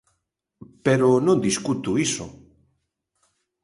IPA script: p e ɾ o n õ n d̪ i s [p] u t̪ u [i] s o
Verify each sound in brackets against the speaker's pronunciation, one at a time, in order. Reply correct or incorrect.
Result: incorrect: k, correct

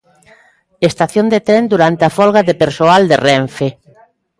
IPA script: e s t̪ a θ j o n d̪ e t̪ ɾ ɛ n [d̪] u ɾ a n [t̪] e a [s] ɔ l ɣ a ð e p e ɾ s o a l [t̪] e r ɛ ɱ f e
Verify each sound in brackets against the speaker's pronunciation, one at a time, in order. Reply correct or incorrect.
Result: correct, correct, incorrect: f, incorrect: d̪

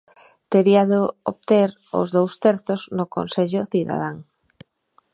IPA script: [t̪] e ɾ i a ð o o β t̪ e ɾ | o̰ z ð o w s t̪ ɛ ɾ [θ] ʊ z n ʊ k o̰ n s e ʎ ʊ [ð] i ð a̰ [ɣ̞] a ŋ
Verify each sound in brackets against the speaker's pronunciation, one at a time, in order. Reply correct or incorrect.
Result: correct, correct, incorrect: θ, incorrect: ð̞

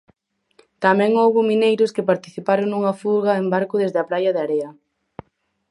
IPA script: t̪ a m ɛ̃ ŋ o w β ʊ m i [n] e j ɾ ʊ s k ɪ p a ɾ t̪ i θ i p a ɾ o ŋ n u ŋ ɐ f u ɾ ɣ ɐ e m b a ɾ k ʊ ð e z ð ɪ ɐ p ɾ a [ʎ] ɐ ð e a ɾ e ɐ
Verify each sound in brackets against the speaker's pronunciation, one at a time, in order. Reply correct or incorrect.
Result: correct, incorrect: j

